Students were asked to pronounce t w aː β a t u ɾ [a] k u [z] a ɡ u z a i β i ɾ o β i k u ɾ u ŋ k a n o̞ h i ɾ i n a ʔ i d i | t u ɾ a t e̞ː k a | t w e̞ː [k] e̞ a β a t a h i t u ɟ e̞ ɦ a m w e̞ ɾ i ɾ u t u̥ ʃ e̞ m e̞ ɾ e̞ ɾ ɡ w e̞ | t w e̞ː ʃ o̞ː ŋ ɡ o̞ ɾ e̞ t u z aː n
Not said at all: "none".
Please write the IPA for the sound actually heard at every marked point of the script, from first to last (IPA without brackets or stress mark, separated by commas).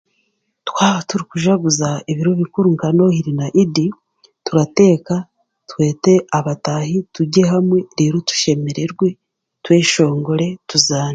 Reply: i, ʒ, t